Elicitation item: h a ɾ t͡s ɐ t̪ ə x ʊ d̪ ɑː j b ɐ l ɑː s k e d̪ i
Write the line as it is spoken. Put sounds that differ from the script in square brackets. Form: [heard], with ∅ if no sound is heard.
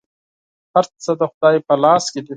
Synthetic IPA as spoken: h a ɾ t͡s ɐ [d̪] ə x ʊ d̪ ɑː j [p] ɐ l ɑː s k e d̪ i